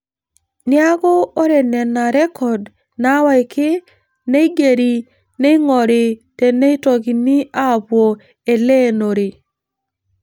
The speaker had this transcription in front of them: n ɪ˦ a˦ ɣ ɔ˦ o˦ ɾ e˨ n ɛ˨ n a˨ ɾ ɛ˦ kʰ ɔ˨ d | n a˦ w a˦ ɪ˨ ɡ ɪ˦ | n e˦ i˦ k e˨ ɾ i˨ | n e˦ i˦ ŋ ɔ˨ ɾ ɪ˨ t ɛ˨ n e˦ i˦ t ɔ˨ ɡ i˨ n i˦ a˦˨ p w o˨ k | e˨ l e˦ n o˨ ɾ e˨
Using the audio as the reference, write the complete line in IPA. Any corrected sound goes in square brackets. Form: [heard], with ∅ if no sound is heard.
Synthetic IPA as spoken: n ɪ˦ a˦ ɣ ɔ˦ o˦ ɾ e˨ n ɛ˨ n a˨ ɾ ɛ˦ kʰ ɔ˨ d | n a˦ w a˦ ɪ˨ [k] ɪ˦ | n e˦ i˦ [ɡ] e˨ ɾ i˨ | n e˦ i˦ ŋ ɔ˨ ɾ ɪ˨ t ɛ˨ n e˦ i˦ t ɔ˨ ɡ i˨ n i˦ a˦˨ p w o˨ [∅] | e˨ l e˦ n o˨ ɾ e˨